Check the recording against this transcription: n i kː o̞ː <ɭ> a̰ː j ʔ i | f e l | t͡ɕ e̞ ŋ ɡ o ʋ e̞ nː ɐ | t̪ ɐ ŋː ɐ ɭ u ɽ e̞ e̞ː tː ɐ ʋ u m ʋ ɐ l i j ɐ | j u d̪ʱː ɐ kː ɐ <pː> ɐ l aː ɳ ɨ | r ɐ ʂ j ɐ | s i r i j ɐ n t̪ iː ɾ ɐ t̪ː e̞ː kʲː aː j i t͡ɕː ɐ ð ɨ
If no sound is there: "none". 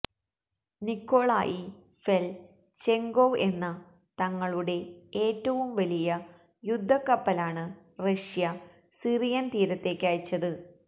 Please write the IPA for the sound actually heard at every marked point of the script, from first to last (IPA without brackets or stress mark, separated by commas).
ɭ, pː